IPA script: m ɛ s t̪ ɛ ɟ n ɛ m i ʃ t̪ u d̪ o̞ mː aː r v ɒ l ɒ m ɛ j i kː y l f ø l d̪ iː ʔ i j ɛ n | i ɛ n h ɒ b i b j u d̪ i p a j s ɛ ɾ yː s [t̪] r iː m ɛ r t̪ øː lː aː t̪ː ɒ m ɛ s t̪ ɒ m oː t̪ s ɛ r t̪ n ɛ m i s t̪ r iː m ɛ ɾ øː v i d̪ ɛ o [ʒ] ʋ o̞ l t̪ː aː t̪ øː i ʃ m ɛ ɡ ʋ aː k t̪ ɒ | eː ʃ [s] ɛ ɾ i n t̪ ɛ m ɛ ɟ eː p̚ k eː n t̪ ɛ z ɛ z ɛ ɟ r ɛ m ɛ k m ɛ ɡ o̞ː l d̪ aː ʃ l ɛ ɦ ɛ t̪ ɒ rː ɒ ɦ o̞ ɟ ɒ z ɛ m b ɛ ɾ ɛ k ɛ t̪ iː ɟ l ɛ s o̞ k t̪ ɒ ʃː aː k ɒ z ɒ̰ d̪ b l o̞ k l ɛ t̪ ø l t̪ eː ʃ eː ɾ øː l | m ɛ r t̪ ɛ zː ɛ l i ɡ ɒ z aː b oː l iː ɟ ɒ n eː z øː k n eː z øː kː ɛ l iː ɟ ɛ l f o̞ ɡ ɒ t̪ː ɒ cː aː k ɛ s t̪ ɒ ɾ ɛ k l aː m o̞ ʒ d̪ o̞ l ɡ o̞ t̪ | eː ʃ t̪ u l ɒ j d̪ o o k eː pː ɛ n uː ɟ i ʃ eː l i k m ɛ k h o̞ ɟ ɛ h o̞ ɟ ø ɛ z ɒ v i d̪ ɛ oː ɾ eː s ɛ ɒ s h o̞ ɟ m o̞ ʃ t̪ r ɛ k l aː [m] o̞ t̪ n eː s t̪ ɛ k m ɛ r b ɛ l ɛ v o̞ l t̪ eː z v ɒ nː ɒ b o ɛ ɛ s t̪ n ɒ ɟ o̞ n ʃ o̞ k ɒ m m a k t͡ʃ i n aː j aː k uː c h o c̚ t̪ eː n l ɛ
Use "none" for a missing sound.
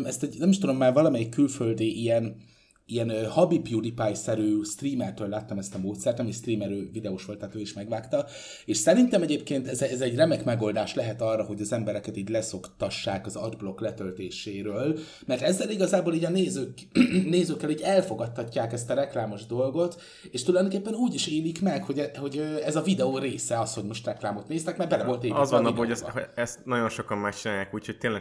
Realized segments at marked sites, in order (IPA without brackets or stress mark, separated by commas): t̪, ʃ, s, m